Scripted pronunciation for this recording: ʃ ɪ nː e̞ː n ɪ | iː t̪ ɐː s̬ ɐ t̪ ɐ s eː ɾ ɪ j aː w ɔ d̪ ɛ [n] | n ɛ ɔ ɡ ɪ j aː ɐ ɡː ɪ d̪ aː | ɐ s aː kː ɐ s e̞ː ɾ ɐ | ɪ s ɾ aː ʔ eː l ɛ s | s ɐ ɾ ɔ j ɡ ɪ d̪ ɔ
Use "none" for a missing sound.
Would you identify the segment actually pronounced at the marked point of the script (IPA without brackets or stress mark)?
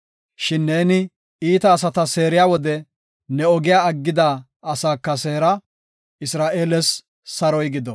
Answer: none